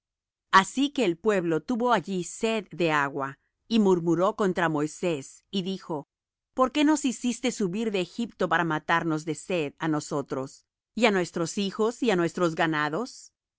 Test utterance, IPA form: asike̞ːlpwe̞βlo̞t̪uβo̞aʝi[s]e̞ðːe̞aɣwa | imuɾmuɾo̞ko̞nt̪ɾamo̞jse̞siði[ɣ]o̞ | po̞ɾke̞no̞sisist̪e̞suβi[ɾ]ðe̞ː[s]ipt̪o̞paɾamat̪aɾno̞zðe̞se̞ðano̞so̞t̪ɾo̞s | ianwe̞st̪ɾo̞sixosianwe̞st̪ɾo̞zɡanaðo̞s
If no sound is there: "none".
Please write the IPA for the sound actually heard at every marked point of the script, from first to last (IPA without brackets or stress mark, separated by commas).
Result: s, x, ɾ, x